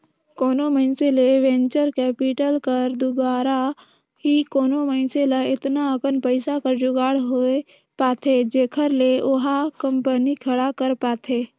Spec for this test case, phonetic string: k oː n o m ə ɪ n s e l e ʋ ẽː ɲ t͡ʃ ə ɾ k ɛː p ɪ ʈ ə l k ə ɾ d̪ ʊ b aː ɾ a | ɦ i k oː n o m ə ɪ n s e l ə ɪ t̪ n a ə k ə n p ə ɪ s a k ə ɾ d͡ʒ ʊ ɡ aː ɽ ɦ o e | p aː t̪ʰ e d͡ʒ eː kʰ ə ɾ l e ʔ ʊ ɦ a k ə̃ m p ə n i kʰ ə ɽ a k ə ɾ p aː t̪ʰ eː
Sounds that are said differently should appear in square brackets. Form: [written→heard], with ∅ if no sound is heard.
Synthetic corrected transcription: k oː n o m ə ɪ n s e l e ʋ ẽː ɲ t͡ʃ ə ɾ k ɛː p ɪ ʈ ə l k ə ɾ d̪ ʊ b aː ɾ a | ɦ i k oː n o m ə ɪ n s e l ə ɪ t̪ n a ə k ə n p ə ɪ s a k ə ɾ d͡ʒ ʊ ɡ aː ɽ ɦ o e | p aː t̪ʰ e d͡ʒ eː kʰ ə ɾ l e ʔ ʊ ɦ a k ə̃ m p ə n i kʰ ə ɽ a k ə ɾ p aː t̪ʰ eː

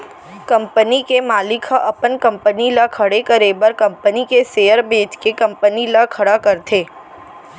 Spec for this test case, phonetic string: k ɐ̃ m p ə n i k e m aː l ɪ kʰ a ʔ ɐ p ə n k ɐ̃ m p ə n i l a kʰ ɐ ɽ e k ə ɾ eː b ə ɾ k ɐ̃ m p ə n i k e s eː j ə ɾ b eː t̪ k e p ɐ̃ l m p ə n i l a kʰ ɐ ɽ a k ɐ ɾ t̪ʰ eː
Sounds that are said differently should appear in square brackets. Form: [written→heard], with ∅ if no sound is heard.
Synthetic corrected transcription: k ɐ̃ m p ə n i k e m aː l ɪ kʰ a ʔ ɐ p ə n k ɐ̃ m p ə n i l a kʰ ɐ ɽ e k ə ɾ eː b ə ɾ k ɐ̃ m p ə n i k e s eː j ə ɾ b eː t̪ k e [p→k] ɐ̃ [l→∅] m p ə n i l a kʰ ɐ ɽ a k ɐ ɾ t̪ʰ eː

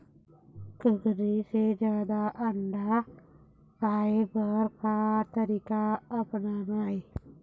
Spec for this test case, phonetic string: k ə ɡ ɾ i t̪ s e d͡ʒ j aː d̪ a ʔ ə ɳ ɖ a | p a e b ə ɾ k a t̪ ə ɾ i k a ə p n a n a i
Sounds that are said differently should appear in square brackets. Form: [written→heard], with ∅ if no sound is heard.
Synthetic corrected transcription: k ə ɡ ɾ i [t̪→∅] s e d͡ʒ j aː d̪ a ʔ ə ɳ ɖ a | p a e b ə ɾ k a t̪ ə ɾ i k a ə p n a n a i

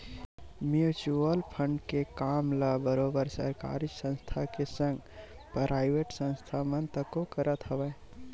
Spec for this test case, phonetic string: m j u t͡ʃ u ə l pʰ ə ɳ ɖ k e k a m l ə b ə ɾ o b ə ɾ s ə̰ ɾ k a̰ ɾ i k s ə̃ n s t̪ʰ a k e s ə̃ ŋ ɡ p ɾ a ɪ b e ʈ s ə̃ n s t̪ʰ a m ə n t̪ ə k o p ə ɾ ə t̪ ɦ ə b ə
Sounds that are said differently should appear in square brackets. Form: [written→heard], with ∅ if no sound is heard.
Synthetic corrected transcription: m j u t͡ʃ u ə l pʰ ə ɳ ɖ k e k a m l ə b ə ɾ o b ə ɾ s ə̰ ɾ k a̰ ɾ i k s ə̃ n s t̪ʰ a k e s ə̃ ŋ ɡ p ɾ a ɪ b e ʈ s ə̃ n s t̪ʰ a m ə n t̪ ə k o [p→k] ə ɾ ə t̪ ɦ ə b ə

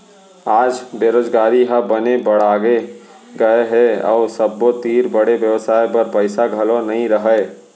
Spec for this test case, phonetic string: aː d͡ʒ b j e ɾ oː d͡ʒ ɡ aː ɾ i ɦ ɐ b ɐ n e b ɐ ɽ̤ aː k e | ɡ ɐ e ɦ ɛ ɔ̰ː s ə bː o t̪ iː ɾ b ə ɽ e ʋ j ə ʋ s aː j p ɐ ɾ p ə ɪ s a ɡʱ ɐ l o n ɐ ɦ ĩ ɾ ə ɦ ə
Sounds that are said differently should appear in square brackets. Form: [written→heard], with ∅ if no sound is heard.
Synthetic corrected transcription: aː d͡ʒ b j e ɾ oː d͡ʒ ɡ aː ɾ i ɦ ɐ b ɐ n e b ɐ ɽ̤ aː [k→ɡ] e | ɡ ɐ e ɦ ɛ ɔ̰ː s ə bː o t̪ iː ɾ b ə ɽ e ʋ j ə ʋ s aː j p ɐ ɾ p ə ɪ s a ɡʱ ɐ l o n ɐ ɦ ĩ ɾ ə ɦ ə

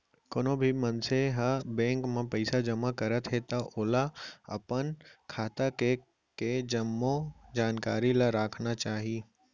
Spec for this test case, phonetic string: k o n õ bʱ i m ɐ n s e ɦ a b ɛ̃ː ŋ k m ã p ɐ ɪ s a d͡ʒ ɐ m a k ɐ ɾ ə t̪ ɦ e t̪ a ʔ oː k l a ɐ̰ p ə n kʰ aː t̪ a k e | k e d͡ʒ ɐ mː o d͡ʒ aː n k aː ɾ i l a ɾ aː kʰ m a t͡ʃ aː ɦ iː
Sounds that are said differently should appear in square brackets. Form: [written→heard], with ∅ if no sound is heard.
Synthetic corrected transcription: k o n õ bʱ i m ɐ n s e ɦ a b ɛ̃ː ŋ k m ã p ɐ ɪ s a d͡ʒ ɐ m a k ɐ ɾ ə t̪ ɦ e t̪ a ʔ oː [k→∅] l a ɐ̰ p ə n kʰ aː t̪ a k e | k e d͡ʒ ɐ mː o d͡ʒ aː n k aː ɾ i l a ɾ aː kʰ [m→n] a t͡ʃ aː ɦ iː

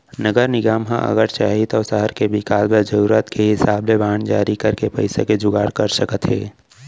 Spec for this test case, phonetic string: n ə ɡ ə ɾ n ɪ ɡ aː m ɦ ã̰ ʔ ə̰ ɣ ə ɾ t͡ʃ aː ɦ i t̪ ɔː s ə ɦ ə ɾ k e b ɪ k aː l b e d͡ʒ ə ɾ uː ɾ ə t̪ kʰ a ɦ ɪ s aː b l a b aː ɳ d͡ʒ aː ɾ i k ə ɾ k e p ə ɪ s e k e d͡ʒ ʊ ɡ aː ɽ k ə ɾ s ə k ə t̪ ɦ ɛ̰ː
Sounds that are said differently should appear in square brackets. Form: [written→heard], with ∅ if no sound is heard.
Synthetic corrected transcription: n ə ɡ ə ɾ n ɪ ɡ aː m ɦ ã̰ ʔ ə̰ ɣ ə ɾ t͡ʃ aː ɦ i t̪ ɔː s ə ɦ ə ɾ k e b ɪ k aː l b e d͡ʒ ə ɾ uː ɾ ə t̪ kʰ [a→e] ɦ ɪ s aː b l [a→e] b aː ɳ d͡ʒ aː ɾ i k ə ɾ k e p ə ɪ s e k e d͡ʒ ʊ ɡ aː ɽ k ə ɾ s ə k ə t̪ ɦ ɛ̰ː

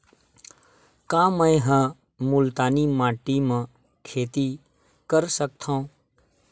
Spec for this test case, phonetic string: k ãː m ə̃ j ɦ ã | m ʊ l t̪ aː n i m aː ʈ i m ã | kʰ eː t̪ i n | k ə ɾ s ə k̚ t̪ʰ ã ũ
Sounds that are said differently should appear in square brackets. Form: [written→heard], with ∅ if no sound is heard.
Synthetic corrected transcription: k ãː m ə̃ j ɦ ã | m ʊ l t̪ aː n i m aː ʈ i m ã | kʰ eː t̪ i [n→∅] | k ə ɾ s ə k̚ t̪ʰ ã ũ

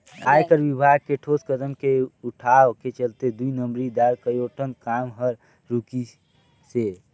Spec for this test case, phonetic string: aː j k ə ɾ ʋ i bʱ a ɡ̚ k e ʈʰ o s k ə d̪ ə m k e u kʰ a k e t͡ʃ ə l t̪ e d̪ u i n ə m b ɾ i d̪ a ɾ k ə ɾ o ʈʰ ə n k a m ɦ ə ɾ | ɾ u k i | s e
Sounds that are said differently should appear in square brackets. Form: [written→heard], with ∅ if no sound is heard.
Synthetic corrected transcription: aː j k ə ɾ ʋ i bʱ a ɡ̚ k e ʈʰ o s k ə d̪ ə m k e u [kʰ→ʈʰ] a k e t͡ʃ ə l t̪ e d̪ u i n ə m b ɾ i d̪ a ɾ k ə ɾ o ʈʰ ə n k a m ɦ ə ɾ | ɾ u k i | s e

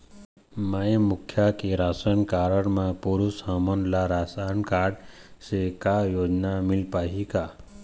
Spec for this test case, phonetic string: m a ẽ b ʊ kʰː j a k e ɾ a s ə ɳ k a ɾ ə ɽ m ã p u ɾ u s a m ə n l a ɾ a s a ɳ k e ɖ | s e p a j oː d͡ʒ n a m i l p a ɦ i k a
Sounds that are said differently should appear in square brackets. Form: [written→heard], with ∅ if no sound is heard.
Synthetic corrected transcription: m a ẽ [b→m] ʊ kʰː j a k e ɾ a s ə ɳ k a ɾ ə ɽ m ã p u ɾ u s a m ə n l a ɾ a s a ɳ k [e→a] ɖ | s e [p→k] a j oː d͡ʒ n a m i l p a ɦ i k a

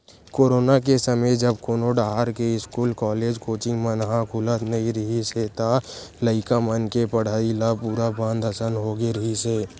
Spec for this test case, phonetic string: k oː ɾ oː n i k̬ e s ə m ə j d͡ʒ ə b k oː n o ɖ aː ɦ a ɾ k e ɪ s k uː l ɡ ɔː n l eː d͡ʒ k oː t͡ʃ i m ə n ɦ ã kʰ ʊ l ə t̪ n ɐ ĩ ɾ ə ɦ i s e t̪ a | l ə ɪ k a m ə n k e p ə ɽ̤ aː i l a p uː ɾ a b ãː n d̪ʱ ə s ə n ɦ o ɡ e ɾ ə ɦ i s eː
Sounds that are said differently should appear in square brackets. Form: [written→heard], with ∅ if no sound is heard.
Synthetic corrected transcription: k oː ɾ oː n [i→a] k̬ e s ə m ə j d͡ʒ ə b k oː n o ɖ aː ɦ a ɾ k e ɪ s k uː l [ɡ→k] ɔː [n→∅] l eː d͡ʒ k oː t͡ʃ i m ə n ɦ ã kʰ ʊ l ə t̪ n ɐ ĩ ɾ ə ɦ i s e t̪ a | l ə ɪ k a m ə n k e p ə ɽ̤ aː i l a p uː ɾ a b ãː n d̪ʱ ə s ə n ɦ o ɡ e ɾ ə ɦ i s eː

